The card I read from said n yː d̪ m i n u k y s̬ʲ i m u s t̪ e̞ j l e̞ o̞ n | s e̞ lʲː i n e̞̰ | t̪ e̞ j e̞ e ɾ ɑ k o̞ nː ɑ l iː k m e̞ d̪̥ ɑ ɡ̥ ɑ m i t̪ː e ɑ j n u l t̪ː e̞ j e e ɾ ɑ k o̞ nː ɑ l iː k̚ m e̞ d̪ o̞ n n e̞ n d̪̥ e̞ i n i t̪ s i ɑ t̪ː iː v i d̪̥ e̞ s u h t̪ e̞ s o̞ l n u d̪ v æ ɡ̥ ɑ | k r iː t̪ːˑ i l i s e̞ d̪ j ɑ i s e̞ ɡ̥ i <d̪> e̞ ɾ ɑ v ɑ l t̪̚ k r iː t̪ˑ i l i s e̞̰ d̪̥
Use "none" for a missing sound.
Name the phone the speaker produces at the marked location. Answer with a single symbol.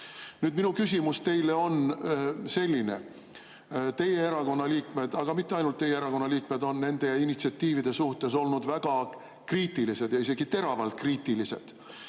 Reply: t̪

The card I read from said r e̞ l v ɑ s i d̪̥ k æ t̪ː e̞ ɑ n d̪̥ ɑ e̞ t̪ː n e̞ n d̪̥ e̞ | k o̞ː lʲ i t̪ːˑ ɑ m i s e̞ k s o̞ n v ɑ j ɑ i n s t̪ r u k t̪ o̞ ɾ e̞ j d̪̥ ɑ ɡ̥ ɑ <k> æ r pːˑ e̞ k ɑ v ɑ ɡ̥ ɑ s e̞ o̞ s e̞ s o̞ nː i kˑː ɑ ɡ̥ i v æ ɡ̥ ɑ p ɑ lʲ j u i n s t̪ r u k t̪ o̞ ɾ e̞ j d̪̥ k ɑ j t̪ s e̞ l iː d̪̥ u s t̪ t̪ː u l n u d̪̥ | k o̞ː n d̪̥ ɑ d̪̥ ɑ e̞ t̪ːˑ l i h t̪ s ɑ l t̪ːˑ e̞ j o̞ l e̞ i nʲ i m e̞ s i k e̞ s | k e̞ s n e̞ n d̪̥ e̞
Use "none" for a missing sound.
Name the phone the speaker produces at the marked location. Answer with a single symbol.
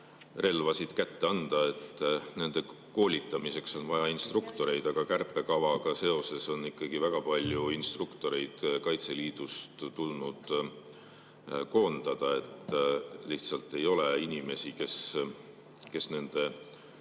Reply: k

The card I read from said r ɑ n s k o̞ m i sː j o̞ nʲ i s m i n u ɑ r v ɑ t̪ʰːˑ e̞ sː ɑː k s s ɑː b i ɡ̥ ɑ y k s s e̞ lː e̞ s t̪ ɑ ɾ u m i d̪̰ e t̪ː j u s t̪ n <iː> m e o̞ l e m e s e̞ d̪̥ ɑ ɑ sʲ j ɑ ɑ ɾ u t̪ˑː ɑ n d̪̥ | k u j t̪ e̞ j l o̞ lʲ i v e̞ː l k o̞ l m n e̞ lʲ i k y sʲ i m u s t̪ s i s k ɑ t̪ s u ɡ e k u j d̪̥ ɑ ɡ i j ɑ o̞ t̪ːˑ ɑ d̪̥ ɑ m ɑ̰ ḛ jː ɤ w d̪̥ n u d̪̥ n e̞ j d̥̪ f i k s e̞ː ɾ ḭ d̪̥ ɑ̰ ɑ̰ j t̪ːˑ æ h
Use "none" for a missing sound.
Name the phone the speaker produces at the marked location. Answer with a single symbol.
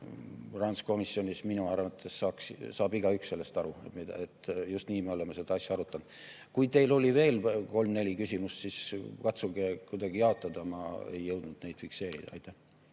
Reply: iː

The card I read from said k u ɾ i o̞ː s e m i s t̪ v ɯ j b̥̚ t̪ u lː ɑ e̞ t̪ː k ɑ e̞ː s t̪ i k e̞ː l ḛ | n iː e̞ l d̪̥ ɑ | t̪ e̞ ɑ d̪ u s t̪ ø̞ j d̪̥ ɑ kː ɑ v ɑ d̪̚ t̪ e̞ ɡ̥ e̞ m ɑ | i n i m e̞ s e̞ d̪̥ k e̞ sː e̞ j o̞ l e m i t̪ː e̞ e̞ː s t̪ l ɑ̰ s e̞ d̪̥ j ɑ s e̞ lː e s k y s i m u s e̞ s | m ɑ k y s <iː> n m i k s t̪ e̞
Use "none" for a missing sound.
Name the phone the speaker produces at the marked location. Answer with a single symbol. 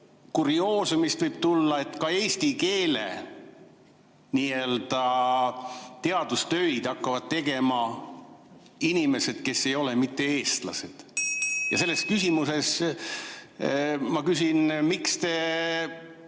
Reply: i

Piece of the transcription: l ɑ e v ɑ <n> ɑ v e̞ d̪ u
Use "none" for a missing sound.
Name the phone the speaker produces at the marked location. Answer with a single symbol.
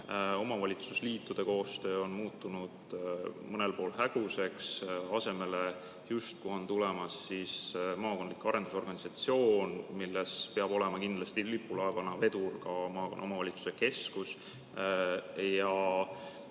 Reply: n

